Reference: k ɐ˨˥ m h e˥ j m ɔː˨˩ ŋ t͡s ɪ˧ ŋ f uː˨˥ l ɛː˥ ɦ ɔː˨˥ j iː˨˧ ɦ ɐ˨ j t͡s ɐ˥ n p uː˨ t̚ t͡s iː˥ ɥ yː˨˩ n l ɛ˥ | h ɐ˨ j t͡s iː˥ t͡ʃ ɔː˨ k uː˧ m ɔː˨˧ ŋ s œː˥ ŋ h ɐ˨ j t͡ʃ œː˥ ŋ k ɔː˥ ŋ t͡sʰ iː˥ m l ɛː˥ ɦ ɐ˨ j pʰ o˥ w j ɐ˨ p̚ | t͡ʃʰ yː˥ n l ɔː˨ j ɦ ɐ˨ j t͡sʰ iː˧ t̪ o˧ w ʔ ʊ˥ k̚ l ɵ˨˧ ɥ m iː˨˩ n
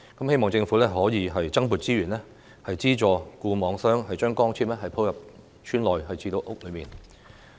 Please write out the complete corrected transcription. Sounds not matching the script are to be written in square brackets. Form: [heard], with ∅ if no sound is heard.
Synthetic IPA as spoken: k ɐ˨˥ m h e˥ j m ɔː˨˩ ŋ t͡s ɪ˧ ŋ f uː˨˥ l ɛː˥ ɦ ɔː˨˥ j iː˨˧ ɦ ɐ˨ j t͡s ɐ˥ [ŋ] p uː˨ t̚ t͡s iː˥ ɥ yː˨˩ n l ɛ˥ | h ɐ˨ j t͡s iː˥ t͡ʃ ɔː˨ k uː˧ m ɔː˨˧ ŋ s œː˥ ŋ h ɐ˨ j t͡ʃ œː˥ ŋ k ɔː˥ ŋ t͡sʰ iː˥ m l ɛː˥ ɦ ɐ˨ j pʰ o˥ w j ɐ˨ p̚ | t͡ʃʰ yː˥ n l ɔː˨ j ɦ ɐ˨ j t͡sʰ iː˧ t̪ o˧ w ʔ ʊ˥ k̚ l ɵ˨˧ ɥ m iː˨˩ n